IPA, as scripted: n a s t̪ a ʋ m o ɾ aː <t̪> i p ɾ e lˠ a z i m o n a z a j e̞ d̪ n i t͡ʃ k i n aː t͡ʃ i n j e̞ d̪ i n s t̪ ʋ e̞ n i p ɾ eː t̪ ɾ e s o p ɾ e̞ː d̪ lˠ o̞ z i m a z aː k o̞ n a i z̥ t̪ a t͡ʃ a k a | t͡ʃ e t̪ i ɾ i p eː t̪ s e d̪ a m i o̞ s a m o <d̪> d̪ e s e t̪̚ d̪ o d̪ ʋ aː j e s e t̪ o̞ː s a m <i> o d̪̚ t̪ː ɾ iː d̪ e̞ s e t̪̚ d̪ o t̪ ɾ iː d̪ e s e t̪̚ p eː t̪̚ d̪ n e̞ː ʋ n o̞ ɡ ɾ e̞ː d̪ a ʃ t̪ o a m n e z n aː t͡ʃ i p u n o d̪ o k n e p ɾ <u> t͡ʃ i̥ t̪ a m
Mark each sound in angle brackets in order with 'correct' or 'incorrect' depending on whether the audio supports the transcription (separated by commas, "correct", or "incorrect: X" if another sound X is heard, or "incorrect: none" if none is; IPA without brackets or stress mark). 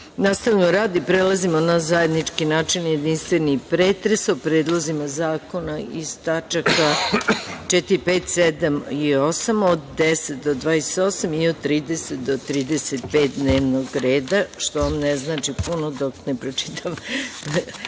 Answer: incorrect: d̪, correct, correct, incorrect: o